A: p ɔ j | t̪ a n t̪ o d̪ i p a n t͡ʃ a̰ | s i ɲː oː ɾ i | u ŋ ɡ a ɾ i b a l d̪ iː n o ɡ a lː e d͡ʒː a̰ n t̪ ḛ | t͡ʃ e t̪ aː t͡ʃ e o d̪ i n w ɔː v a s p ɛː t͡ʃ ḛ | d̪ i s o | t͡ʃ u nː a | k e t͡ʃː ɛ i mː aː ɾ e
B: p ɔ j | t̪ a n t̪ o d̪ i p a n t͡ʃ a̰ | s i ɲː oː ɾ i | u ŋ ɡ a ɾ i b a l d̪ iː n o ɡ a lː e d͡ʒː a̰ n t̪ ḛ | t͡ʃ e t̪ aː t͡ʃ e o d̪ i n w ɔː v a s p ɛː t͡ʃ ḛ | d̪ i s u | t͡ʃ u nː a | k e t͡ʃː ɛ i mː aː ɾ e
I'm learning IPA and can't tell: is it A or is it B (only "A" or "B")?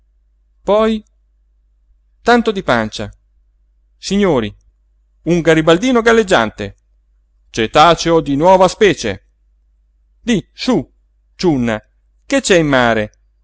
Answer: B